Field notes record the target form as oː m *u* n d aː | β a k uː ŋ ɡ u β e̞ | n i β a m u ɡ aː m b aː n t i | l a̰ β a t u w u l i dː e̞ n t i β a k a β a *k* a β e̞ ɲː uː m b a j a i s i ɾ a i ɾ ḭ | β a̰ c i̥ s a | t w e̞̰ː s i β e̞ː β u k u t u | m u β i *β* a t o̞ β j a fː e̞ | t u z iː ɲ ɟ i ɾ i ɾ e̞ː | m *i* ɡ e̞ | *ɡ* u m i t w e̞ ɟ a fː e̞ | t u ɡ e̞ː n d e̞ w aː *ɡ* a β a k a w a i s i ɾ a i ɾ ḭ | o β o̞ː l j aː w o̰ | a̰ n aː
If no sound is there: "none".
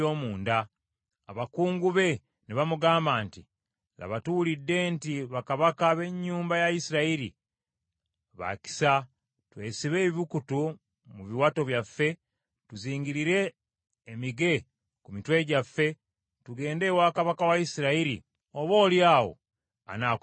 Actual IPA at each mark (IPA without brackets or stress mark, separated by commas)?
uː, k, w, i, k, k